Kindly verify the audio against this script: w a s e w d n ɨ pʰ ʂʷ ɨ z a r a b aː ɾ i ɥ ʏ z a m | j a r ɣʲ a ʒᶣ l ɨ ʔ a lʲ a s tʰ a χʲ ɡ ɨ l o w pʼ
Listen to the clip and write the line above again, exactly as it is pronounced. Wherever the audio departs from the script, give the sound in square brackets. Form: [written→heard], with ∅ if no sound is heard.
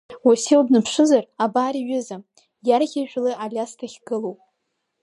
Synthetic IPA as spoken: w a s e w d n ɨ pʰ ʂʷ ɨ z a r a b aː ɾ i ɥ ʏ z a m | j a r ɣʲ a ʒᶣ l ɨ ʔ a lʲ a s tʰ a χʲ ɡ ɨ l o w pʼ